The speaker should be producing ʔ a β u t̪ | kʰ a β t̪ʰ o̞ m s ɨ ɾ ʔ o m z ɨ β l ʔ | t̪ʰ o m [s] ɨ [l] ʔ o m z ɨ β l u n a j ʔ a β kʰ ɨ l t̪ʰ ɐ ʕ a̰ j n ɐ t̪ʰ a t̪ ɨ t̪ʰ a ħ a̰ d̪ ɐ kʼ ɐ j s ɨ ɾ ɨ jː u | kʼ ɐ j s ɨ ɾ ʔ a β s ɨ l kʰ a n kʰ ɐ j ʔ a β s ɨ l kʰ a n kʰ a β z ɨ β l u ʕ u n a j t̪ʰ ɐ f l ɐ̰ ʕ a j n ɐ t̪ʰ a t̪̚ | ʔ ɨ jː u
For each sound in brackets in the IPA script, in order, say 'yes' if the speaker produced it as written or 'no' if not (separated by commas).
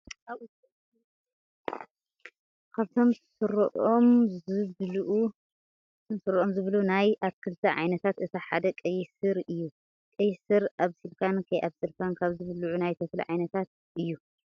yes, no